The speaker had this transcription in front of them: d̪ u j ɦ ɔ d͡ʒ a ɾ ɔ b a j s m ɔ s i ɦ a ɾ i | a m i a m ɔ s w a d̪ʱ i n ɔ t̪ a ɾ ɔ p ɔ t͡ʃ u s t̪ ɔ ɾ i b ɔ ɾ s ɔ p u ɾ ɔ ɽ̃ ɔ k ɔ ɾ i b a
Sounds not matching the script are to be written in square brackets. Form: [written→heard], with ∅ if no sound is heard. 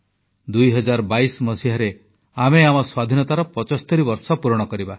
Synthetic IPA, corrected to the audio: d̪ u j ɦ ɔ d͡ʒ a ɾ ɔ b a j s m ɔ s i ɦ a ɾ [i→e] | a m [i→e] a m ɔ s w a d̪ʱ i n ɔ t̪ a ɾ ɔ p ɔ t͡ʃ [u→ɔ] s t̪ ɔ ɾ i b ɔ ɾ s ɔ p u ɾ ɔ ɽ̃ ɔ k ɔ ɾ i b a